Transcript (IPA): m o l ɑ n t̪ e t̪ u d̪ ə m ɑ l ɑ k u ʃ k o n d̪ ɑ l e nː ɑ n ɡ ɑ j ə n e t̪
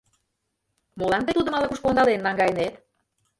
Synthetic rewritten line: m o l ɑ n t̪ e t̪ u d̪ ə m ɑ l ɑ k u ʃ k o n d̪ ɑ l e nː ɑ ŋ ɡ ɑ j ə n e t̪